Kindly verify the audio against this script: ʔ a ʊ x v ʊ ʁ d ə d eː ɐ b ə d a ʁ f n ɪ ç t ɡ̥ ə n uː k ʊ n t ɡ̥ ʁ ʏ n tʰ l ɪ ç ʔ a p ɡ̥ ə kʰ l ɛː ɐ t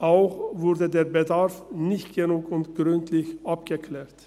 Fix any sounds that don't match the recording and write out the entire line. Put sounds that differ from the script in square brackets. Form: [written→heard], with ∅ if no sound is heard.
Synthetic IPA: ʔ a ʊ x v ʊ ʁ d ə d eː ɐ b ə d a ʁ f n ɪ ç t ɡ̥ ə n uː k ʊ n t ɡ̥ ʁ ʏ n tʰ l ɪ ç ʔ a p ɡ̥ ə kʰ l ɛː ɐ t